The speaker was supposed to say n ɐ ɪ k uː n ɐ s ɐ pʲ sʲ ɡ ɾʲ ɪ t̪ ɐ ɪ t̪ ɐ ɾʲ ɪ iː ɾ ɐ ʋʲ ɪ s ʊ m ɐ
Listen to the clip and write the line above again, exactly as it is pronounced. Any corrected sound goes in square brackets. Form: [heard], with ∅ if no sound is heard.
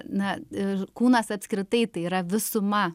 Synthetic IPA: n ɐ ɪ k uː n ɐ s ɐ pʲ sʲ [k] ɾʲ ɪ t̪ ɐ ɪ t̪ ɐ [∅] ɪ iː ɾ ɐ ʋʲ ɪ s ʊ m ɐ

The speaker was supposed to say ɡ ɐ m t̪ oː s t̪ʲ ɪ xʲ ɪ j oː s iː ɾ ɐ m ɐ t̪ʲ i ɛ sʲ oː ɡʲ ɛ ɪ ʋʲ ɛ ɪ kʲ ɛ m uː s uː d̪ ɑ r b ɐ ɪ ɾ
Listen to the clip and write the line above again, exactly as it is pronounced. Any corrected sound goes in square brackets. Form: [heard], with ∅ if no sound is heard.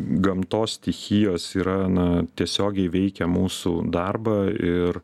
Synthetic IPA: ɡ ɐ m t̪ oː s t̪ʲ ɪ xʲ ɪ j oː s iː ɾ ɐ [n] ɐ t̪ʲ i ɛ sʲ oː ɡʲ ɛ ɪ ʋʲ ɛ ɪ kʲ ɛ m uː s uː d̪ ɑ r b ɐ ɪ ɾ

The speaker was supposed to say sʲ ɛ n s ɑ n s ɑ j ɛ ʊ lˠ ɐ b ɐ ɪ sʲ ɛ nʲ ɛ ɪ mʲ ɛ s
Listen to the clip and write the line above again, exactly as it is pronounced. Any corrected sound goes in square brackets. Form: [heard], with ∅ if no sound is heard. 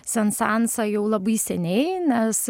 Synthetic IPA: sʲ ɛ n s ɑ n s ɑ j ɛ ʊ lˠ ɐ b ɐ ɪ sʲ ɛ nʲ ɛ ɪ [nʲ] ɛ s

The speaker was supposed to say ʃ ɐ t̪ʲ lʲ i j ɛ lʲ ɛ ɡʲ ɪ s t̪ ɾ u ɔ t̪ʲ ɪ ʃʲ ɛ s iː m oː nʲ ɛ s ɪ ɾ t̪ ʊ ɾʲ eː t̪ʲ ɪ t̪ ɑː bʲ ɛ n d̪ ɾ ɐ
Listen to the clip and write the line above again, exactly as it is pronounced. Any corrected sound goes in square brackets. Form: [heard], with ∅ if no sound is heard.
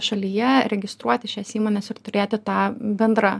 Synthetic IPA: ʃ ɐ [∅] lʲ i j ɛ [ɾʲ] ɛ ɡʲ ɪ s t̪ ɾ u ɔ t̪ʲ ɪ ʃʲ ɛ s iː m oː nʲ ɛ s ɪ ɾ t̪ ʊ ɾʲ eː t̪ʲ ɪ t̪ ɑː bʲ ɛ n d̪ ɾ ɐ

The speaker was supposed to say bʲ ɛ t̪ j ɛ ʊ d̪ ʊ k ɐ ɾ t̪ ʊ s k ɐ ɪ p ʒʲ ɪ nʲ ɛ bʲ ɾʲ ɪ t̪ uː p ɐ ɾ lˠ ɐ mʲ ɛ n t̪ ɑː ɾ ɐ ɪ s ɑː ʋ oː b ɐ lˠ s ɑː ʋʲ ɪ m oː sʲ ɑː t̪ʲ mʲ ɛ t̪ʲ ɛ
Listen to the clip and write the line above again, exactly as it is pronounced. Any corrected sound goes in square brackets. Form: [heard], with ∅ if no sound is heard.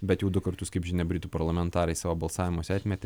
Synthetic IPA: bʲ ɛ t̪ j ɛ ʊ d̪ ʊ k ɐ ɾ t̪ ʊ s k ɐ ɪ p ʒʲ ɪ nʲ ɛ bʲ ɾʲ ɪ t̪ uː p ɐ ɾ lˠ ɐ mʲ ɛ n t̪ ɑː ɾ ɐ ɪ s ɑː ʋ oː b ɐ lˠ s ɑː ʋʲ ɪ m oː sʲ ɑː t̪ʲ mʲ ɛ t̪ʲ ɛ

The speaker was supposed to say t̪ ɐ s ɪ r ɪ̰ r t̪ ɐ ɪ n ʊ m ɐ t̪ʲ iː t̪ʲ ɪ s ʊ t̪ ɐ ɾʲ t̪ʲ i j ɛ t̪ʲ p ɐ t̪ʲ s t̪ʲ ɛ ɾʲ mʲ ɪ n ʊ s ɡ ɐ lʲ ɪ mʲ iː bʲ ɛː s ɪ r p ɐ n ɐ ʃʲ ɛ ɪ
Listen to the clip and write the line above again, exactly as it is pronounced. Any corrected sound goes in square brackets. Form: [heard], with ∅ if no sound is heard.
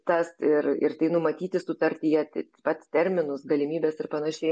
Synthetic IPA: t̪ ɐ s ɪ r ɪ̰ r t̪ ɐ ɪ n ʊ m ɐ t̪ʲ iː t̪ʲ ɪ s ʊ t̪ ɐ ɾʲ t̪ʲ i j ɛ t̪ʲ p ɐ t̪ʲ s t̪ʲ ɛ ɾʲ mʲ ɪ n ʊ s ɡ ɐ lʲ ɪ mʲ iː bʲ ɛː s ɪ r p ɐ n ɐ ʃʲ ɛ ɪ

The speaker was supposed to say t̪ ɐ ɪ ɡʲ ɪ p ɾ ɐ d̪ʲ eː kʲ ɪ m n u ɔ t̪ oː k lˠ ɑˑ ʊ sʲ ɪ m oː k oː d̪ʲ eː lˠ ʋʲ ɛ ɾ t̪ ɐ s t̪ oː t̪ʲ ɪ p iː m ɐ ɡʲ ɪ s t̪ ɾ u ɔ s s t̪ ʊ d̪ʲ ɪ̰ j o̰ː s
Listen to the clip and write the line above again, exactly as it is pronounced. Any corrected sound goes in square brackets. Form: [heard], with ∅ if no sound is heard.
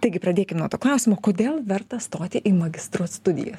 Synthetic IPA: t̪ ɐ ɪ ɡʲ ɪ p ɾ ɐ d̪ʲ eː kʲ ɪ m n u ɔ t̪ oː k lˠ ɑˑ ʊ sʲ ɪ m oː k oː d̪ʲ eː lˠ ʋʲ ɛ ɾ t̪ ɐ s t̪ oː t̪ʲ ɪ [ʔ] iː m ɐ ɡʲ ɪ s t̪ ɾ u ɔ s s t̪ ʊ d̪ʲ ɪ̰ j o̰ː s

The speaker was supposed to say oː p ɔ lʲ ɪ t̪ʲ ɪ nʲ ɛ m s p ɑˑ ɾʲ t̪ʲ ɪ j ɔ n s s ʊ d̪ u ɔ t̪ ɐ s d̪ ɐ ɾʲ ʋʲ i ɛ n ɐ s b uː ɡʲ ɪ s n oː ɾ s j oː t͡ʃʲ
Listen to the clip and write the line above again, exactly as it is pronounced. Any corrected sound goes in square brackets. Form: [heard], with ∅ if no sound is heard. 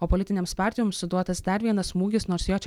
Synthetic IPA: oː p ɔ lʲ ɪ t̪ʲ ɪ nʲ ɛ m s p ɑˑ ɾʲ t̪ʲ ɪ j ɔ [m] s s ʊ d̪ u ɔ t̪ ɐ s d̪ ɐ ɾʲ ʋʲ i ɛ n ɐ s [m] uː ɡʲ ɪ s n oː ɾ s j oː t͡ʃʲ

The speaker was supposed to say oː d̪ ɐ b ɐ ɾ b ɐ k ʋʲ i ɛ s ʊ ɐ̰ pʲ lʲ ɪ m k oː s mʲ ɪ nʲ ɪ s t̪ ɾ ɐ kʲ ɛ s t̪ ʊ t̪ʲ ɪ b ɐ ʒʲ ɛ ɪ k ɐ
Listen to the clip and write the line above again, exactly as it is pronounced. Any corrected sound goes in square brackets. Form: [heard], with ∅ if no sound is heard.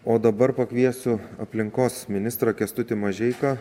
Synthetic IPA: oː d̪ ɐ b ɐ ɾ [p] ɐ k ʋʲ i ɛ s ʊ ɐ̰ pʲ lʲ ɪ [ŋ] k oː s mʲ ɪ nʲ ɪ s t̪ ɾ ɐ kʲ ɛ s t̪ ʊ t̪ʲ ɪ [m] ɐ ʒʲ ɛ ɪ k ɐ

